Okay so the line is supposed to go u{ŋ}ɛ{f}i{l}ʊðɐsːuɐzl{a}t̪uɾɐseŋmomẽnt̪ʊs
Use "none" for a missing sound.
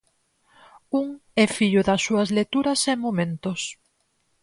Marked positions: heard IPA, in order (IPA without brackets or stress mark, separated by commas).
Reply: ŋ, f, ʎ, e